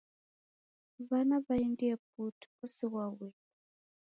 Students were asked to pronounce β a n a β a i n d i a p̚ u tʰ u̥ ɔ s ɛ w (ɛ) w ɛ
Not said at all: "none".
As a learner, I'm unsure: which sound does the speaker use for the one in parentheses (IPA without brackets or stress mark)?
a